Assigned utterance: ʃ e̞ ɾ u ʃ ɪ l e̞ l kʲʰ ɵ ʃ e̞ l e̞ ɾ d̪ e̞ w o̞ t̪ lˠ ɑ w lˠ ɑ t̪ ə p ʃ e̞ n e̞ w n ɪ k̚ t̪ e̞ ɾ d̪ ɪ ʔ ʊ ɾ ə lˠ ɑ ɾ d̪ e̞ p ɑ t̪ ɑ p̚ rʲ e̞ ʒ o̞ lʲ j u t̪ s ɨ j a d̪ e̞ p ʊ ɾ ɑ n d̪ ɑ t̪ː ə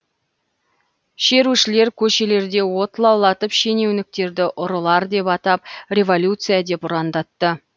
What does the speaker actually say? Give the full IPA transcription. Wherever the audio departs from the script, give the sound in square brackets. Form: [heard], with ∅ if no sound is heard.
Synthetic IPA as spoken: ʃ e̞ ɾ u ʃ ɪ l e̞ [ɾ] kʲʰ ɵ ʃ e̞ l e̞ ɾ d̪ e̞ w o̞ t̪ lˠ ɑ w lˠ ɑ t̪ ə p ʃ e̞ n e̞ w n ɪ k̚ t̪ e̞ ɾ d̪ ɪ ʔ ʊ ɾ ə lˠ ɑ ɾ d̪ e̞ p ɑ t̪ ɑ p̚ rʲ e̞ [v] o̞ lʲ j u t̪ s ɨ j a d̪ e̞ p ʊ ɾ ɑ n d̪ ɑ t̪ː ə